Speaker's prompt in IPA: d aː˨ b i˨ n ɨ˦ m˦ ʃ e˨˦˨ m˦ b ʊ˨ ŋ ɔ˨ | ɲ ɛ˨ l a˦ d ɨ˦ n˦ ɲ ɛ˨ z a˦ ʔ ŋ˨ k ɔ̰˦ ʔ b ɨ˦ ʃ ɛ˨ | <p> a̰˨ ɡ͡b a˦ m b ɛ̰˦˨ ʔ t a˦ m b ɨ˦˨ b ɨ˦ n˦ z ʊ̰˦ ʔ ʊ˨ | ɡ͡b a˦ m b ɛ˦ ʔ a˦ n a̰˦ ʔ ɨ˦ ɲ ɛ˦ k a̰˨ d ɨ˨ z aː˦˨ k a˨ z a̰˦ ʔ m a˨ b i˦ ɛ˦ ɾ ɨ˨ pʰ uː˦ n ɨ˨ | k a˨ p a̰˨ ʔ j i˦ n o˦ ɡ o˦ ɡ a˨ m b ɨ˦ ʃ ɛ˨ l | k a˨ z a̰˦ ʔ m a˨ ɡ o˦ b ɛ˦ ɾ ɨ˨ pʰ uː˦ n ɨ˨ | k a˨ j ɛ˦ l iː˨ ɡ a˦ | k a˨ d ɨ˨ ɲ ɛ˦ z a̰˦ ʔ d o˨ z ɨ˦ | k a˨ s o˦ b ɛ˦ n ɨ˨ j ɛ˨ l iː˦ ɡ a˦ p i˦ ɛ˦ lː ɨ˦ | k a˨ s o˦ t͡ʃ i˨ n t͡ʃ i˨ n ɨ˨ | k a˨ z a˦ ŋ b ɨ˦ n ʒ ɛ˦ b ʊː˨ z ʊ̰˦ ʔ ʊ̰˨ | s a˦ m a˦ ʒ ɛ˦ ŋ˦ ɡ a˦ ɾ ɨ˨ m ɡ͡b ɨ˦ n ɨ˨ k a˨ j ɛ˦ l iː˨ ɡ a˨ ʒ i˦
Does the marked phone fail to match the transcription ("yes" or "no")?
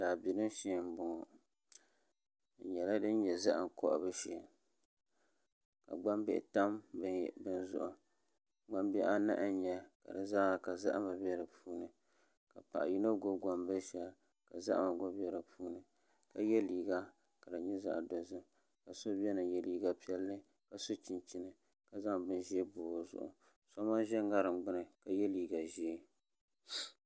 yes